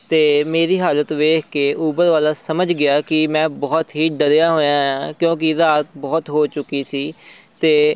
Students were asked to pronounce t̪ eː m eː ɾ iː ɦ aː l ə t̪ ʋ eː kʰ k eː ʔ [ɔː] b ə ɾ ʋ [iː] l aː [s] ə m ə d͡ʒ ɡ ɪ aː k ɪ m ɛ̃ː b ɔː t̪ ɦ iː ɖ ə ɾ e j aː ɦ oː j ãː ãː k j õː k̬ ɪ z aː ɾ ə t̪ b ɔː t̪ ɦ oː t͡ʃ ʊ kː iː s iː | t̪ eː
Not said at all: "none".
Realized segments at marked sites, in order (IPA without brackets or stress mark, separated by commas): uː, aː, s